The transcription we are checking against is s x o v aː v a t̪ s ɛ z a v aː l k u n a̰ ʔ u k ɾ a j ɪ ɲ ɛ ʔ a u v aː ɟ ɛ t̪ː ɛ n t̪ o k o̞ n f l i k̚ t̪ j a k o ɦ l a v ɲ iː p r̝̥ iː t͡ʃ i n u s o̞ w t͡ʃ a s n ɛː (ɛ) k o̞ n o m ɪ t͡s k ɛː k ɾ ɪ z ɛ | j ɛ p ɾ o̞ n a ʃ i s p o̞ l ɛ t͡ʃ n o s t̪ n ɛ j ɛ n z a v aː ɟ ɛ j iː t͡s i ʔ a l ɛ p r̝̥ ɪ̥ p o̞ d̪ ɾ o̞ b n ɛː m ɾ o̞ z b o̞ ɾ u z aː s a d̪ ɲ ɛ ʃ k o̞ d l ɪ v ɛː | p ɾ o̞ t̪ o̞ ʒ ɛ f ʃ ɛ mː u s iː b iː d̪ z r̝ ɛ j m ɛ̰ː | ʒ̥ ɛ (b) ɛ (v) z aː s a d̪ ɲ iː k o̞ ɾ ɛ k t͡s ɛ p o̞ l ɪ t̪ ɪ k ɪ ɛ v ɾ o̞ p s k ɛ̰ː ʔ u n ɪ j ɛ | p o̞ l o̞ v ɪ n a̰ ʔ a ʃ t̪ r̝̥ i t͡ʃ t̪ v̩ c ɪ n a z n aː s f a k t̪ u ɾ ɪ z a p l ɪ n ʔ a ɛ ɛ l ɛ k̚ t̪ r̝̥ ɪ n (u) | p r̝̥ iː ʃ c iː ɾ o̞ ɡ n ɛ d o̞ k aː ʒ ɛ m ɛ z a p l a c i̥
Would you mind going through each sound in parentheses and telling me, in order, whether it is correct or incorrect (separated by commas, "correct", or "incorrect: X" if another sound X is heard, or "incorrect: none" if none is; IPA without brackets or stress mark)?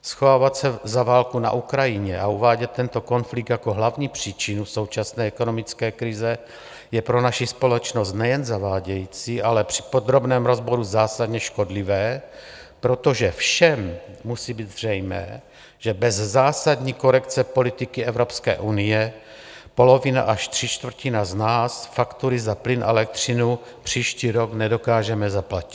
correct, correct, incorrect: z, correct